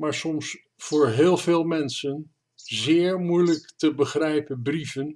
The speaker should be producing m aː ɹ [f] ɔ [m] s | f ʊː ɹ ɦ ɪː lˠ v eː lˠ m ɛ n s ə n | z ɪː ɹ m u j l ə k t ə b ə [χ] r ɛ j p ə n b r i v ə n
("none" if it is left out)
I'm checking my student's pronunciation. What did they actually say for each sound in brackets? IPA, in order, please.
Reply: s, m, χ

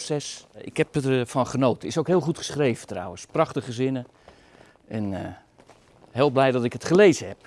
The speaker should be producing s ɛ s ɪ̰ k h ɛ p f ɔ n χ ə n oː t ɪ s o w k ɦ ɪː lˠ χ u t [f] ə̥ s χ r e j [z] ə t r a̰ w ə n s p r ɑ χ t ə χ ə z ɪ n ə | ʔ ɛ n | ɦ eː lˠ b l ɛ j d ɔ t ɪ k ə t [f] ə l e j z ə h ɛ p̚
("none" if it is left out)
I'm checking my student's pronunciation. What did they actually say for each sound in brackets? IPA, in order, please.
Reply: χ, v, χ

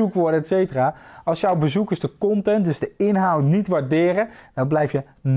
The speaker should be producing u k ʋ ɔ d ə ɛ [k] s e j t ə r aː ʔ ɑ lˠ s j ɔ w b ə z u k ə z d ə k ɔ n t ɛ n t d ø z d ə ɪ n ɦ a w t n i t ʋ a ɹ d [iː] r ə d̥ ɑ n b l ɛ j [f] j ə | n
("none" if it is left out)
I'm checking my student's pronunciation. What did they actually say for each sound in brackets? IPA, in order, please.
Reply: t, ɪː, f

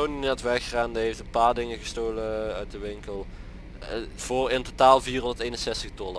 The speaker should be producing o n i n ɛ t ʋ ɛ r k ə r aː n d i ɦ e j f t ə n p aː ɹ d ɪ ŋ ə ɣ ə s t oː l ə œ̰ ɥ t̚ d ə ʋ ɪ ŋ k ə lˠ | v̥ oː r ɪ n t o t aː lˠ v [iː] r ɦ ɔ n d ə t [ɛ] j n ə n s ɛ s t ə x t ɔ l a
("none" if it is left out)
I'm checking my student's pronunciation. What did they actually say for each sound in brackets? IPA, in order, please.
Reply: iː, e

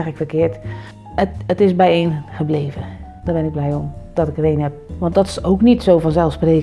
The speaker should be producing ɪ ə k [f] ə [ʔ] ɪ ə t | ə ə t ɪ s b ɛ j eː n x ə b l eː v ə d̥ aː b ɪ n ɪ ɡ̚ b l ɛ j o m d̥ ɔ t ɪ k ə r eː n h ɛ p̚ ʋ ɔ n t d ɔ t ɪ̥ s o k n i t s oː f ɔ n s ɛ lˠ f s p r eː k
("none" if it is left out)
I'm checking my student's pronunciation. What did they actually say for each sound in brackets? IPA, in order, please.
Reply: f, k

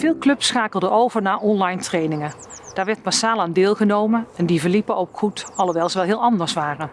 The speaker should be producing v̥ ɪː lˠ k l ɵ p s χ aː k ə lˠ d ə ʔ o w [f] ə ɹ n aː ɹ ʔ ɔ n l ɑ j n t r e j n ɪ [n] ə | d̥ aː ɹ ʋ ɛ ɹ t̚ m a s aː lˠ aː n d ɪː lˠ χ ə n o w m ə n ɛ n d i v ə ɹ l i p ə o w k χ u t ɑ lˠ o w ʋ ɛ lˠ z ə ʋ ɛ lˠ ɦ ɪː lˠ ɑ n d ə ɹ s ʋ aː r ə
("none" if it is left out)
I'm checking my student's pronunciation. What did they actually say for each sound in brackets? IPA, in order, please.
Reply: v, ŋ

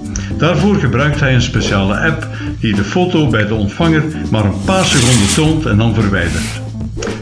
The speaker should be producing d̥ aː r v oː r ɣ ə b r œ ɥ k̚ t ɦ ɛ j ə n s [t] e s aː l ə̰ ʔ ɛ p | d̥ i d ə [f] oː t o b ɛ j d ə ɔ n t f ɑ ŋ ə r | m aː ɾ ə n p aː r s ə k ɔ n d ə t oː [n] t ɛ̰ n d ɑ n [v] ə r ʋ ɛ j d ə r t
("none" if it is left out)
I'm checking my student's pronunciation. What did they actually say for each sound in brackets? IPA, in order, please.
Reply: p, f, n, v

